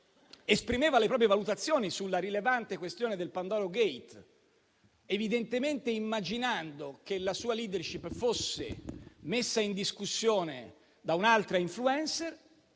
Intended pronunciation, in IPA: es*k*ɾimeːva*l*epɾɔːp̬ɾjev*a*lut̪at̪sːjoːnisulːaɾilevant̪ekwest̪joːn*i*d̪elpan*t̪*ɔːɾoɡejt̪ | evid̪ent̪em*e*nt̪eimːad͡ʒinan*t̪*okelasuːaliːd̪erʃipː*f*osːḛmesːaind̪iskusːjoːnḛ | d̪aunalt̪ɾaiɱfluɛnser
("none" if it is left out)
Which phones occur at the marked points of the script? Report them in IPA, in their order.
p, l, a, e, d̪, e, d̪, f

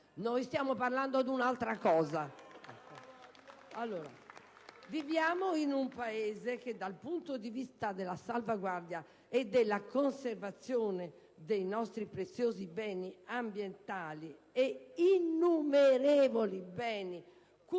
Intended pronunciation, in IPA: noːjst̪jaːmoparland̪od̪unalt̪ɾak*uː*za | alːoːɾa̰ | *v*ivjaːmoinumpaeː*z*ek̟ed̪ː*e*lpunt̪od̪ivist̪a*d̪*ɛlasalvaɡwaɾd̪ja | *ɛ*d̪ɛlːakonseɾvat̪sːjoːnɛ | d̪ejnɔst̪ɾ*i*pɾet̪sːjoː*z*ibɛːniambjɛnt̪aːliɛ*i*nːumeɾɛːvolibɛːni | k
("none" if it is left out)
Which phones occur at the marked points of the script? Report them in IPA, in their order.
ɔː, v, z, a, d̪, ɛ, i, z, i

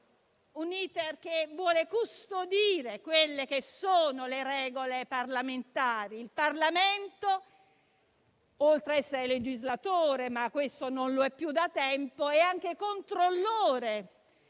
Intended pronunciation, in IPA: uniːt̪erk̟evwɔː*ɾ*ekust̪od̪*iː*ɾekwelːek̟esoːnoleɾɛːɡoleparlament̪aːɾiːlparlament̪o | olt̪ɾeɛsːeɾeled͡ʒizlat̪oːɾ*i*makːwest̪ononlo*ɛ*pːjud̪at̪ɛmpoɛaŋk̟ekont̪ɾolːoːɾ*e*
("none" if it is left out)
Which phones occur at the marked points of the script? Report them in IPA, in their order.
l, iː, e, ɛ, e

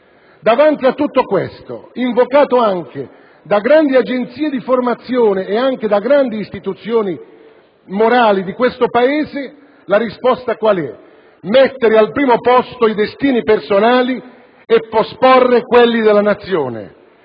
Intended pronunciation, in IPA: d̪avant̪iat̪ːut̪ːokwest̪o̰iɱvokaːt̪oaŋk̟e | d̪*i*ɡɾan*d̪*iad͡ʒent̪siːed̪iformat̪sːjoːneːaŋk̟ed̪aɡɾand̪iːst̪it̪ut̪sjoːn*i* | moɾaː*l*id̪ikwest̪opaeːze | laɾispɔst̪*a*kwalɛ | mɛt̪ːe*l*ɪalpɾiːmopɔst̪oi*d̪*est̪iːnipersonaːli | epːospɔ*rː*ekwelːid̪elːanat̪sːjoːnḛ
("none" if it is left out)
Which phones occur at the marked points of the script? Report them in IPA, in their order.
a, d̪, i, l, a, ɾ, d̪, rː

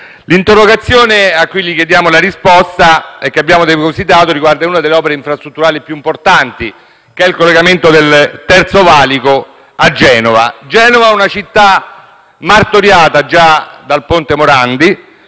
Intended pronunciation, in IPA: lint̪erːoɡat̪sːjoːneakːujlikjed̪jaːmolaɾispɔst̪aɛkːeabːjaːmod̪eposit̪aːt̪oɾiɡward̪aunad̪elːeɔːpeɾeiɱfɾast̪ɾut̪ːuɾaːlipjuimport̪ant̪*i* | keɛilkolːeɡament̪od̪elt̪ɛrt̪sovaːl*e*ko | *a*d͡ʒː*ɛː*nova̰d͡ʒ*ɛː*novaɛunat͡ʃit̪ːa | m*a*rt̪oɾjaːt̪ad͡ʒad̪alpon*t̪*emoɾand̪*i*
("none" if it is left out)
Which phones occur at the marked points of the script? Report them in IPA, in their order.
i, i, a, ɛː, ɛː, a, t̪, i

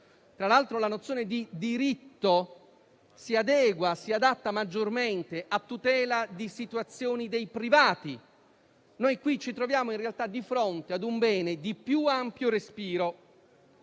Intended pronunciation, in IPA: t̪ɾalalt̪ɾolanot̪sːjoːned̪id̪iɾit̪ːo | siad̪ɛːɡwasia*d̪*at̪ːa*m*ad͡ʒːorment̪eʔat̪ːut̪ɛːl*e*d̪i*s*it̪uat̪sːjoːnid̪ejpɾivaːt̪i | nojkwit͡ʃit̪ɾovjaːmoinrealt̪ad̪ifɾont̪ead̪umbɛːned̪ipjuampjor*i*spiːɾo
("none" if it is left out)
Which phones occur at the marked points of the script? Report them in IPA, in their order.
d̪, m, a, s, e

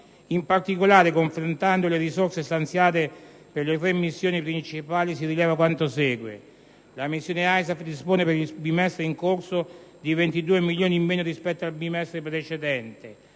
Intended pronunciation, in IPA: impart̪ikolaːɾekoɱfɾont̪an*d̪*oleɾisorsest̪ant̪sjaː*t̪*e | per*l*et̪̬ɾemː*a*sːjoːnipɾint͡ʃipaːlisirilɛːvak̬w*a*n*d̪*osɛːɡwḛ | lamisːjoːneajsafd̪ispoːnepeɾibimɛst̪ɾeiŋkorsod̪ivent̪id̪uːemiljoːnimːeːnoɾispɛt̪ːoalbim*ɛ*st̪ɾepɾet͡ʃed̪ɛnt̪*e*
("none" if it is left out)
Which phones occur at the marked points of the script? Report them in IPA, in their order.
d̪, t̪, l, i, a, t̪, ɛ, e

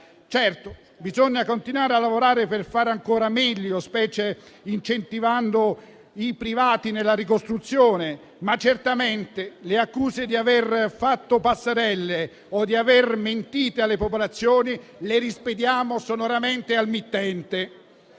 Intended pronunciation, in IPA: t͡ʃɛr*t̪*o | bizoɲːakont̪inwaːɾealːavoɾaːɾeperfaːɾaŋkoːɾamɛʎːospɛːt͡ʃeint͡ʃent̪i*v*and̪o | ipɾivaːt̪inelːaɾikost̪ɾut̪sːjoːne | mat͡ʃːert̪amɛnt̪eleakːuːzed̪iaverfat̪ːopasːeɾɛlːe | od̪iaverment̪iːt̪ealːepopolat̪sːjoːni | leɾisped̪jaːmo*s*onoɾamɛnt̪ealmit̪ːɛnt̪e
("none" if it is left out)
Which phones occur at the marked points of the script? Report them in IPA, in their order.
t̪, v, s

